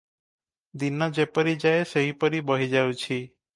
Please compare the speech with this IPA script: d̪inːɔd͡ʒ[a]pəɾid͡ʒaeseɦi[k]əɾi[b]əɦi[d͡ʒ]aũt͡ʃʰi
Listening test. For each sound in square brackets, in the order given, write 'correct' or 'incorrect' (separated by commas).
incorrect, incorrect, correct, correct